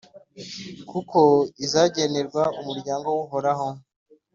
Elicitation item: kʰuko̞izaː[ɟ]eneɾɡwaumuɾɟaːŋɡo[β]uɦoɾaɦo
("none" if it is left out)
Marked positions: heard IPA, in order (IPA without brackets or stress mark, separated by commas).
ɟ, w